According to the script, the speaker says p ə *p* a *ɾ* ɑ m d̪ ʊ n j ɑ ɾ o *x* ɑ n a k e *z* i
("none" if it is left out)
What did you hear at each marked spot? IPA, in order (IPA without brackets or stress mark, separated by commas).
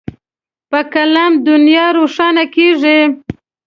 k, l, ʂ, ʐ